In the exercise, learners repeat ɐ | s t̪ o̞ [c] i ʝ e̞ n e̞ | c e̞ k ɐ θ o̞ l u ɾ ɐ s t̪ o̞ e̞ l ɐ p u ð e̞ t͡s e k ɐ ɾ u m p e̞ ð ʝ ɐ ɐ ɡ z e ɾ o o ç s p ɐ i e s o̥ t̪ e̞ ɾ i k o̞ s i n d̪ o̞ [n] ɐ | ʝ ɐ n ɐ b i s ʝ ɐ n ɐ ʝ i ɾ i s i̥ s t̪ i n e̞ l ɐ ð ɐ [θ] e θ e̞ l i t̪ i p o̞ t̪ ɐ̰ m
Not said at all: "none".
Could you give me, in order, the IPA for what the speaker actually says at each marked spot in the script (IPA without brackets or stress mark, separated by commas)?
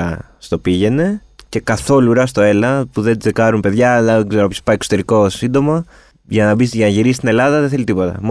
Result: p, m, ð